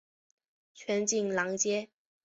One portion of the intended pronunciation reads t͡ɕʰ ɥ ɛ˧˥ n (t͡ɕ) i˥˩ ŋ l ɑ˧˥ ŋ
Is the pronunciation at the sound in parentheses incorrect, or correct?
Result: correct